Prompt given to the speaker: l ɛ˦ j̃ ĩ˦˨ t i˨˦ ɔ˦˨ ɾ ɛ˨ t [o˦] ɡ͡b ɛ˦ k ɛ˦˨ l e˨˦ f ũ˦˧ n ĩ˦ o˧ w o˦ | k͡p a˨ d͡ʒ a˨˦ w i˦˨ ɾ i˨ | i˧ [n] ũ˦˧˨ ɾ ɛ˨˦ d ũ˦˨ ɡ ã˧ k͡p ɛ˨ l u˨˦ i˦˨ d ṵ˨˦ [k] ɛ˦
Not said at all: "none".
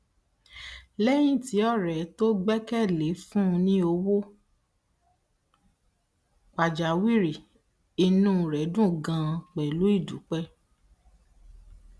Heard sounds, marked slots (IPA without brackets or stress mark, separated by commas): o˦, n, k͡p